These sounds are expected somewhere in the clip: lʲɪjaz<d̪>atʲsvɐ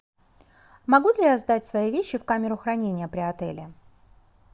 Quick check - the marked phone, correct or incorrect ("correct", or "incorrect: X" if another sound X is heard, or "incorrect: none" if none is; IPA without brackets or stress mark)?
correct